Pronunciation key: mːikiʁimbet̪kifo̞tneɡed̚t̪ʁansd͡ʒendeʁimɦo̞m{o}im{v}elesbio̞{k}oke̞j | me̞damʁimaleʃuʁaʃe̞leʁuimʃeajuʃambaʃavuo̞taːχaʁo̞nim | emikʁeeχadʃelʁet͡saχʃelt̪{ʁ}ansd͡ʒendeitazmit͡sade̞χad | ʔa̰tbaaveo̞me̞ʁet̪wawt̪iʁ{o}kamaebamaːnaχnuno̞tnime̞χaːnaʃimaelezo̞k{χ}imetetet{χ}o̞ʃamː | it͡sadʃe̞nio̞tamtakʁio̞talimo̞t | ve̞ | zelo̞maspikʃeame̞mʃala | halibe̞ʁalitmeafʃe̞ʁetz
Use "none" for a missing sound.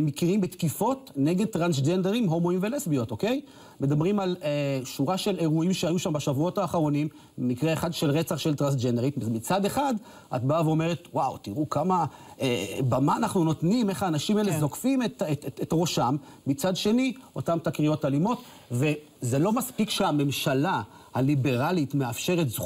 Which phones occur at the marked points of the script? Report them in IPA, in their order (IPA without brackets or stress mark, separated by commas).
o, v, t, ʁ, u, f, ʁ